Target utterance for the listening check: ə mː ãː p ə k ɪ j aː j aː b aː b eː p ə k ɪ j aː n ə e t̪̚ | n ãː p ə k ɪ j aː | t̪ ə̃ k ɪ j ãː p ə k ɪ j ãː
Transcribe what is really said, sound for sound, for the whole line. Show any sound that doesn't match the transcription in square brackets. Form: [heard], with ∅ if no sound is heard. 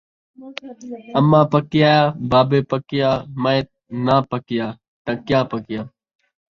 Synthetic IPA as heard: ə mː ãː p ə k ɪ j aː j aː b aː b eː p ə k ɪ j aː [m] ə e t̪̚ | n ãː p ə k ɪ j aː | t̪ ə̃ k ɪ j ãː p ə k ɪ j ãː

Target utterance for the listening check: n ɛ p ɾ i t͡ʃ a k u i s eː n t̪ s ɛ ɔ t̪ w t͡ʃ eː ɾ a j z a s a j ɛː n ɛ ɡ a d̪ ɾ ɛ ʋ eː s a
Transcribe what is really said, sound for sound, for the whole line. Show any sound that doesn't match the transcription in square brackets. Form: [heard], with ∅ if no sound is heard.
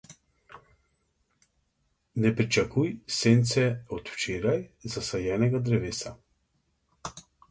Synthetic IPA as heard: n ɛ p ɾ i t͡ʃ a k u [j] s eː n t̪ s ɛ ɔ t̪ w t͡ʃ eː ɾ a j z a s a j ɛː n ɛ ɡ a d̪ ɾ ɛ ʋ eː s a

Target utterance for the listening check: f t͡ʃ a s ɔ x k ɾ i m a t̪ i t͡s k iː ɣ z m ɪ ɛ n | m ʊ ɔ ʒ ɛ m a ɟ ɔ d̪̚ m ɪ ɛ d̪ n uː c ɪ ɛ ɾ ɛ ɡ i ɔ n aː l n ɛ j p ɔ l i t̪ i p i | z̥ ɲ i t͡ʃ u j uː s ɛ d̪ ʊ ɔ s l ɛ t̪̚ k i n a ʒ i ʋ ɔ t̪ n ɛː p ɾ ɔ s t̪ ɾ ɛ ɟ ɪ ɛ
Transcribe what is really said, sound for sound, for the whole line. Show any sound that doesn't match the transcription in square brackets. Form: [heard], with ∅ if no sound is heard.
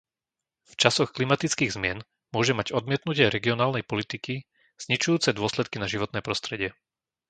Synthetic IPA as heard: f t͡ʃ a s ɔ x k [l] i m a t̪ i t͡s k iː ɣ z m ɪ ɛ n | m ʊ ɔ ʒ ɛ m a ɟ ɔ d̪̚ m ɪ ɛ [t̪] n [u] c ɪ ɛ ɾ ɛ ɡ i ɔ n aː l n ɛ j p ɔ l i t̪ i [k] i | z̥ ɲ i t͡ʃ u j uː [t͡s] ɛ d̪ ʊ ɔ s l ɛ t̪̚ k i n a ʒ i ʋ ɔ t̪ n ɛː p ɾ ɔ s t̪ ɾ ɛ ɟ ɪ ɛ

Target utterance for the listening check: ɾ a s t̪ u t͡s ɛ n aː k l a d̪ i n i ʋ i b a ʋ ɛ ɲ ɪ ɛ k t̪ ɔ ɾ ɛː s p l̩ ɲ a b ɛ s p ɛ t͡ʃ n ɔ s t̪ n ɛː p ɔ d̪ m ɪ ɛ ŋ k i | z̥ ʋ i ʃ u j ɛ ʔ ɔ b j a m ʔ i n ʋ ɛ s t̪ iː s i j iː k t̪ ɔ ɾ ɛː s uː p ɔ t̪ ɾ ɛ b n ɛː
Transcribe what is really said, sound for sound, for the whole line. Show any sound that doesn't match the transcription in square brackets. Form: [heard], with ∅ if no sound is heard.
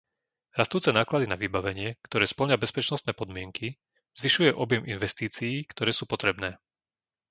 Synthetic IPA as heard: ɾ a s t̪ [uː] t͡s ɛ n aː k l a d̪ i n [a] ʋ i b a ʋ ɛ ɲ ɪ ɛ k t̪ ɔ ɾ ɛː s p l̩ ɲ a b ɛ s p ɛ t͡ʃ n ɔ s t̪ n ɛː p ɔ d̪ m ɪ ɛ ŋ k i | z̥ ʋ i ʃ u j ɛ ʔ ɔ b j [ɛ] m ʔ i n ʋ ɛ s t̪ iː [t͡s] i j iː k t̪ ɔ ɾ ɛː s uː p ɔ t̪ ɾ ɛ b n ɛː

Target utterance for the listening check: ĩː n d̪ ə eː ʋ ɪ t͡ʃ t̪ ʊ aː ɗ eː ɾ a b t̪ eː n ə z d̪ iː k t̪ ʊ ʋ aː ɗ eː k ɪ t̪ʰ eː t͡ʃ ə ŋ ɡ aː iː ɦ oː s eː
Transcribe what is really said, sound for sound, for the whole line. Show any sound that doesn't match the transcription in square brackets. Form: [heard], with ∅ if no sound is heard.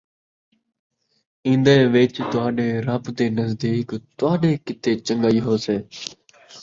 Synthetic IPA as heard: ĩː n d̪ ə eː ʋ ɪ t͡ʃ t̪ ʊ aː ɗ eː ɾ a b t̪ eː n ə z d̪ iː k t̪ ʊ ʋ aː ɗ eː k ɪ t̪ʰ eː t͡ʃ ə ŋ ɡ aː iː ɦ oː s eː

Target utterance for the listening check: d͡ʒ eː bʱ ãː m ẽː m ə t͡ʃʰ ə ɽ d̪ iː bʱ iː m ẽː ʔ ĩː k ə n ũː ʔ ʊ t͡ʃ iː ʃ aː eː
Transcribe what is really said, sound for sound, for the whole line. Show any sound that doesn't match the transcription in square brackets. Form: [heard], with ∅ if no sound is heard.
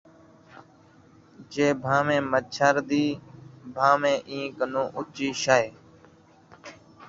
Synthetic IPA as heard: d͡ʒ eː bʱ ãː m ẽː m ə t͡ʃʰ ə [ɾ] d̪ iː bʱ [aː] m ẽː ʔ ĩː k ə n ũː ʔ ʊ t͡ʃ iː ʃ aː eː

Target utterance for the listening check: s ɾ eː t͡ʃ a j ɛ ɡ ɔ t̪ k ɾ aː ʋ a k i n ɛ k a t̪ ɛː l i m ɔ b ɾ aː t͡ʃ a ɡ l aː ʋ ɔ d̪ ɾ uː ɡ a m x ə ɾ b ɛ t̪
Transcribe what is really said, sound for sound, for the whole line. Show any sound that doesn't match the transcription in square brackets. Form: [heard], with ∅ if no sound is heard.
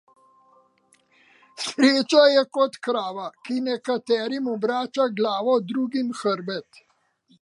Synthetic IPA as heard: s ɾ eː t͡ʃ a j ɛ [k] ɔ t̪ k ɾ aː ʋ a k i n ɛ k a t̪ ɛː [ɾ] i m ɔ b ɾ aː t͡ʃ a ɡ l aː ʋ ɔ d̪ ɾ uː ɡ [i] m x ə ɾ b ɛ t̪

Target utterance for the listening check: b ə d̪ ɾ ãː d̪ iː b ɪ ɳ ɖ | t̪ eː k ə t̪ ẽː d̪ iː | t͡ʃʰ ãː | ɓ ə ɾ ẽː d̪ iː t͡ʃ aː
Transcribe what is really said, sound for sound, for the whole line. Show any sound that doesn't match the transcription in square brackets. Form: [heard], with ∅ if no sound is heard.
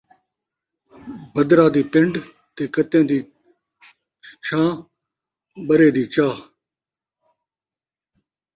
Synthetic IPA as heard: b ə d̪ ɾ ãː d̪ iː [p] ɪ ɳ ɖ | t̪ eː k ə t̪ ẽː d̪ iː | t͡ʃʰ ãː | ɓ ə ɾ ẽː d̪ iː t͡ʃ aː

